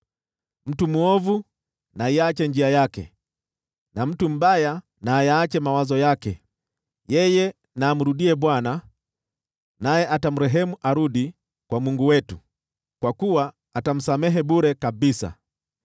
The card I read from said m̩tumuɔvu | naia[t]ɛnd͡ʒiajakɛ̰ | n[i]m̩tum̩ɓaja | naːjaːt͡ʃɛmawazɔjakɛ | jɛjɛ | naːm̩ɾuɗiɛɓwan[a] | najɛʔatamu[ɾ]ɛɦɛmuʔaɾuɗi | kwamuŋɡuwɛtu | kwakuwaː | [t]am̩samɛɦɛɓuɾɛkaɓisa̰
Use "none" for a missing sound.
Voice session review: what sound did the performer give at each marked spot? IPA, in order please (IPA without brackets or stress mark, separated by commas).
t͡ʃ, a, a, ɾ, t